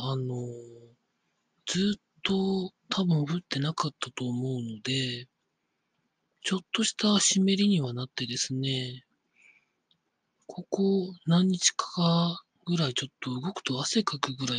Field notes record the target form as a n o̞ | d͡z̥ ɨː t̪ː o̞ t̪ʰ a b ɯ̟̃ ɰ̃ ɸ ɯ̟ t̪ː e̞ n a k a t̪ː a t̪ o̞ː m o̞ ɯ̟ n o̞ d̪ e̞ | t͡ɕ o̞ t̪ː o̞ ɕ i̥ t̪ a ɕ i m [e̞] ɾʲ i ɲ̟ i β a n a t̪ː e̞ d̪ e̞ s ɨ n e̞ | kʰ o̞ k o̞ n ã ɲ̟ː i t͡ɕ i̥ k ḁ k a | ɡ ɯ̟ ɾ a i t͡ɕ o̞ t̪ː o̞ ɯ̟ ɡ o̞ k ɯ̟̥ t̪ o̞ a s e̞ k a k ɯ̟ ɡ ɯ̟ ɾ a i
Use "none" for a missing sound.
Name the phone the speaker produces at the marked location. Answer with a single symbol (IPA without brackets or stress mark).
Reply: e̞